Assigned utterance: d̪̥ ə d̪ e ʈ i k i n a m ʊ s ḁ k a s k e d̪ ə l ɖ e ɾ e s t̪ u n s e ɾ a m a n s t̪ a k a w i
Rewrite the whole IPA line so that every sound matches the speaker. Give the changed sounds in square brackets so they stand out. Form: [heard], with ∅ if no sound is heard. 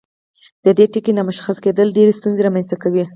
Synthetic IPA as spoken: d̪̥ ə d̪ e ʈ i k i n a m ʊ [ʃ] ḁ [x] a s k e d̪ ə l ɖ e ɾ e s t̪ u n [z] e ɾ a m a n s t̪ a k a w i